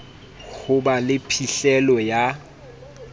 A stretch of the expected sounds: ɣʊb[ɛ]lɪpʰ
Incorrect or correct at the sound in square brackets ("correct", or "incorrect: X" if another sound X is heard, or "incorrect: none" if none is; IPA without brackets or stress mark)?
incorrect: a